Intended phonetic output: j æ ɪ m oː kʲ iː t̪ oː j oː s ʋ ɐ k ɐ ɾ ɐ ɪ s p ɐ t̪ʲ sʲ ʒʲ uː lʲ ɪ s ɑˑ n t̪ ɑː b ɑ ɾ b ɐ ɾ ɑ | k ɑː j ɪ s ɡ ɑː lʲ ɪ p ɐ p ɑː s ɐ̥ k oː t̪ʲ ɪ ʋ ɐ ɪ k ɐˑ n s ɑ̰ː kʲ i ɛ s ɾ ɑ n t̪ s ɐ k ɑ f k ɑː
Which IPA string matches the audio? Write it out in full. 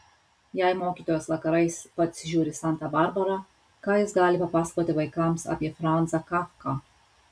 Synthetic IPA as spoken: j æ ɪ m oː kʲ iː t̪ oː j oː s ʋ ɐ k ɐ ɾ ɐ ɪ s p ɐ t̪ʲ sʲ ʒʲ uː ɾʲ ɪ s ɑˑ n t̪ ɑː b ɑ ɾ b ɐ ɾ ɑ | k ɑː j ɪ s ɡ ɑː lʲ ɪ p ɐ p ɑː s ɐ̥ k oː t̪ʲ ɪ ʋ ɐ ɪ k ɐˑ m s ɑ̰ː pʲ i ɛ f ɾ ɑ n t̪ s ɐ k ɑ f k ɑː